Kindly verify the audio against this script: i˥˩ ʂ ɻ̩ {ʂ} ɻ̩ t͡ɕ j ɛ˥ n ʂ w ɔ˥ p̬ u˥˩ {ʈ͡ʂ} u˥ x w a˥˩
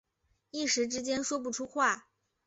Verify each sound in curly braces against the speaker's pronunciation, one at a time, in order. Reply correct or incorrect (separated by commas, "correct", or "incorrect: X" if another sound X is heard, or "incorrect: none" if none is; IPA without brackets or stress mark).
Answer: incorrect: ʈ͡ʂ, incorrect: ʈ͡ʂʰ